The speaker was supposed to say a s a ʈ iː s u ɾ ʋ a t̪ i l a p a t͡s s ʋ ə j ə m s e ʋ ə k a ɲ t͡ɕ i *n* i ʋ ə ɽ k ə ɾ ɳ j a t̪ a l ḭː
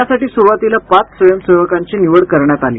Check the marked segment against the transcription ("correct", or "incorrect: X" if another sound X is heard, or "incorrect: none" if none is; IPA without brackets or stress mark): correct